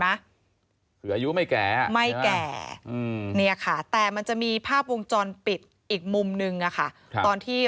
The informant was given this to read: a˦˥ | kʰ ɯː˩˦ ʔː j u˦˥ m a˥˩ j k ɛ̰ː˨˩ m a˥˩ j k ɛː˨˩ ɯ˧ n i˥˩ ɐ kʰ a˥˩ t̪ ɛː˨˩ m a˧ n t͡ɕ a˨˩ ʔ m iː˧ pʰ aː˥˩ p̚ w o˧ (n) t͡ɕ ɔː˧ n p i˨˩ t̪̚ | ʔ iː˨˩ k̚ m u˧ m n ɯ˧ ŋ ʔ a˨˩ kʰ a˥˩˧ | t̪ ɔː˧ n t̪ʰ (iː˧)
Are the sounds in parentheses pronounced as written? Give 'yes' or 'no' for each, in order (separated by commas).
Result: no, no